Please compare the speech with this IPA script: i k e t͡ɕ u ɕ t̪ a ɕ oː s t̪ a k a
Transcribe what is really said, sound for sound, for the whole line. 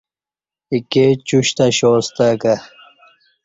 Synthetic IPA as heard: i k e t͡ɕ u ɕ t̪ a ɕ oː s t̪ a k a